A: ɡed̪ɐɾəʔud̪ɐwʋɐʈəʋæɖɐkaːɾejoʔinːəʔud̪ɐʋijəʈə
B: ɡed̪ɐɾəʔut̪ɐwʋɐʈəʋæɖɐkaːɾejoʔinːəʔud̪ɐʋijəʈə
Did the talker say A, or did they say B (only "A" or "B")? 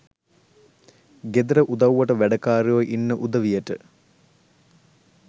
A